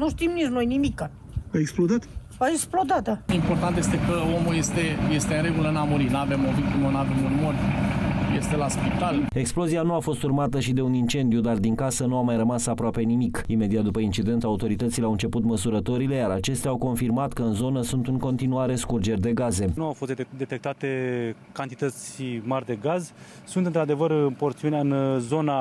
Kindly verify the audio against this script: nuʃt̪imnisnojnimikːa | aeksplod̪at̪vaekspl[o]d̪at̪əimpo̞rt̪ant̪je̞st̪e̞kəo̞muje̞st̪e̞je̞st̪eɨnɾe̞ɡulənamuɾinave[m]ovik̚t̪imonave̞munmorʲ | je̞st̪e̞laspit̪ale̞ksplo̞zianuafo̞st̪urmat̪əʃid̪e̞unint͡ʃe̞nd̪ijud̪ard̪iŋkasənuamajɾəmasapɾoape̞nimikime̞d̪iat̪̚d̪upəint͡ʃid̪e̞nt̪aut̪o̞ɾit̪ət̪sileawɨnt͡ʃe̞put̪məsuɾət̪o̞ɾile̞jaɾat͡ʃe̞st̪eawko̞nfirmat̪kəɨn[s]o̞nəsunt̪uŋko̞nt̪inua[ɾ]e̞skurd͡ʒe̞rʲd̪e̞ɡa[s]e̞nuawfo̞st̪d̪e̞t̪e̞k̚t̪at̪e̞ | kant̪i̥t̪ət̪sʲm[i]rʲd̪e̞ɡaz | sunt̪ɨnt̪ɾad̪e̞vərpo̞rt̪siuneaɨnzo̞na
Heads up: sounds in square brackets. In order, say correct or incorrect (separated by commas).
correct, correct, incorrect, correct, incorrect, incorrect